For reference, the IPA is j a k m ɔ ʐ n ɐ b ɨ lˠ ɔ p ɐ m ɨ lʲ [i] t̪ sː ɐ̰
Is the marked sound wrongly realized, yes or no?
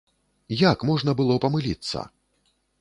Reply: no